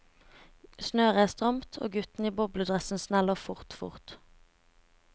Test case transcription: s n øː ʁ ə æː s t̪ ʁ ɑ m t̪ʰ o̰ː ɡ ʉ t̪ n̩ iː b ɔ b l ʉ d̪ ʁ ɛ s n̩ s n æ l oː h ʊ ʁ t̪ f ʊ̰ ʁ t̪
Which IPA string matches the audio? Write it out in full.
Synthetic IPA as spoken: s n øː ʁ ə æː s t̪ ʁ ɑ m t̪ʰ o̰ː ɡ ʉ t̪ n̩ iː b ɔ b l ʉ d̪ ʁ ɛ s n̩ s n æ l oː f ʊ ʁ t̪ f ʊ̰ ʁ t̪